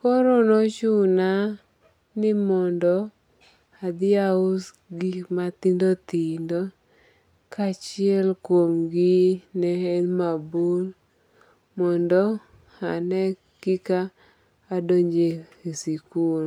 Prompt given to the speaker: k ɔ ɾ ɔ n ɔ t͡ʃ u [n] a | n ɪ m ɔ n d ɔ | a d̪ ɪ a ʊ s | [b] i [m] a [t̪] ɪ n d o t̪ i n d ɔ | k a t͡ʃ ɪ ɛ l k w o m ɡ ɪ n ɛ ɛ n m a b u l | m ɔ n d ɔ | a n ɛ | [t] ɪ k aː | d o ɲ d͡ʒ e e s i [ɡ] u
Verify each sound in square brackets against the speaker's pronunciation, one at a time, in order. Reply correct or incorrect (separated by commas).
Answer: correct, incorrect, correct, correct, incorrect, incorrect